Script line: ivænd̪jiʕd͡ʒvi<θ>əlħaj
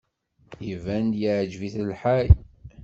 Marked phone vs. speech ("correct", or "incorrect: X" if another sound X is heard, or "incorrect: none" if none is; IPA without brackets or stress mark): correct